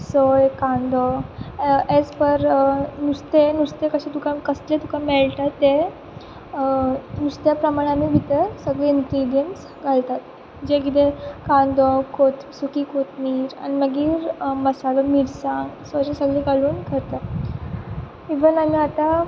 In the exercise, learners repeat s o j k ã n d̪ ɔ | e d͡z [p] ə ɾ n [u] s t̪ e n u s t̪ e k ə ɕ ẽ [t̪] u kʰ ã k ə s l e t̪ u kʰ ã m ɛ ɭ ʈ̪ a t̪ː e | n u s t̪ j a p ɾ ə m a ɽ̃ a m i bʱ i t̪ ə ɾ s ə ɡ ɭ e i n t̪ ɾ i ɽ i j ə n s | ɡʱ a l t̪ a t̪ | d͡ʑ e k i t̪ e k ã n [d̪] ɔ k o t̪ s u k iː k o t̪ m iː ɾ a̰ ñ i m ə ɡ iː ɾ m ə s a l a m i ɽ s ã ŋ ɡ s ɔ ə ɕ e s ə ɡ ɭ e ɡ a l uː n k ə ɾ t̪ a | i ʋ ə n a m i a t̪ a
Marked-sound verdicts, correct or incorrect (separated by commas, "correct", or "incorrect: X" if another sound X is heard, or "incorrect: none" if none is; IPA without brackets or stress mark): correct, correct, correct, correct